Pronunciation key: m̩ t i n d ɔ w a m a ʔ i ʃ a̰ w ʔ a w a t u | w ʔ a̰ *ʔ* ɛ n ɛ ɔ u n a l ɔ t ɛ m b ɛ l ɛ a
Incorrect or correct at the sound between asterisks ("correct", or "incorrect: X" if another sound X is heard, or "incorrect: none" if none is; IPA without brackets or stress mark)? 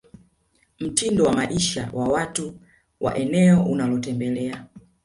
correct